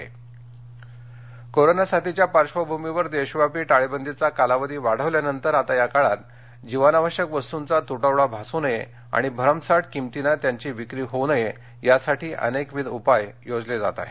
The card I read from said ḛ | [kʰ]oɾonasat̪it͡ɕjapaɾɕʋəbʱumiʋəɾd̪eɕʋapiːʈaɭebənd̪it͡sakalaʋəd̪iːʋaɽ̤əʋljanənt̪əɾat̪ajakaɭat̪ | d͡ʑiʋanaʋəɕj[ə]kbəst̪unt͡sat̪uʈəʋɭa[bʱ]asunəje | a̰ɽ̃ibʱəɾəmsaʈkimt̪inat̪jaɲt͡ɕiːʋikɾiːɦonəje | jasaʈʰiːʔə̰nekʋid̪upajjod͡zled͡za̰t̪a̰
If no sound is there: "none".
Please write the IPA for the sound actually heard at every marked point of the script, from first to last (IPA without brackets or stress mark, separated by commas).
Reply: k, ə, bʱ